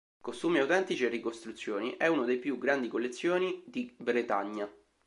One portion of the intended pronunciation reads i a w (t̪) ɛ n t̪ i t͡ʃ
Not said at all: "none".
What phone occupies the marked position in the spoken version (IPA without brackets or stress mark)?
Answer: t̪